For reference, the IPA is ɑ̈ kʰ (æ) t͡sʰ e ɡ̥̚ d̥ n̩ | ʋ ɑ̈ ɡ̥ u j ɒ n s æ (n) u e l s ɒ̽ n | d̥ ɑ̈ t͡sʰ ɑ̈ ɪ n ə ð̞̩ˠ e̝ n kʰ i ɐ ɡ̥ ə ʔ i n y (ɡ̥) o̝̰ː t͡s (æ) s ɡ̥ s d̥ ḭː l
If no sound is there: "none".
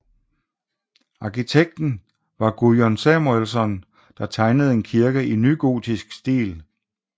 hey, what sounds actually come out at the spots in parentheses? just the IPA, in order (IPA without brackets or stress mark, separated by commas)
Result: i, m, ɡ̥, i